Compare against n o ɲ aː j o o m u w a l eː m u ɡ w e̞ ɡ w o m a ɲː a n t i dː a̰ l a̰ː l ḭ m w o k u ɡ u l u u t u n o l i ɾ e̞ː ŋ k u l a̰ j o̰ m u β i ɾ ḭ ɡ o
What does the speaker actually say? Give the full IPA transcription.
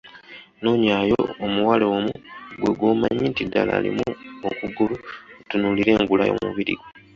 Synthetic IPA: n o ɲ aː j o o m u w a l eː m u ɡ w e̞ ɡ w o m a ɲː i n t i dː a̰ l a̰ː l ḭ m u o k u ɡ u l u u t u n u l i ɾ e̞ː ŋ ɡ u l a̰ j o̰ m u β i ɾ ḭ ɡ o